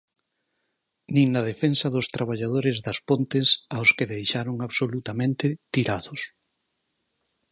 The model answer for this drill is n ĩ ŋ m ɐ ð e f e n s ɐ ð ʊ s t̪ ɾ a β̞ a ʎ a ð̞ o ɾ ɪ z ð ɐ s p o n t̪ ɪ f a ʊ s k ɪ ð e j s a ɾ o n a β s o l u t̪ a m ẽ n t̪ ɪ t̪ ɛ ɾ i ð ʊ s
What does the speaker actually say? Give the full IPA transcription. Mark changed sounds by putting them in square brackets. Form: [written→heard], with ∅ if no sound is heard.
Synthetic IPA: n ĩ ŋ [m→n] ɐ ð e f e n s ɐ ð ʊ s t̪ ɾ a β̞ a ʎ a ð̞ o ɾ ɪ z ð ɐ s p o n t̪ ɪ [f→s] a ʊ s k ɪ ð e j [s→ʃ] a ɾ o [n→ŋ] a β s o l u t̪ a m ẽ n t̪ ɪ t̪ [ɛ→i] ɾ [i→a] ð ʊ s